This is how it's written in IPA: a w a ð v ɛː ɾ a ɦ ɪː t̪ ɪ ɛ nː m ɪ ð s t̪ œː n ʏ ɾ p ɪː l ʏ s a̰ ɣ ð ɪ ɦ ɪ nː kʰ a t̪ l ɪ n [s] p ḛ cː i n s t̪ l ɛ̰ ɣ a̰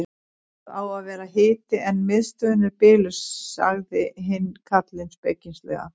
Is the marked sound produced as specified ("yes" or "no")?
yes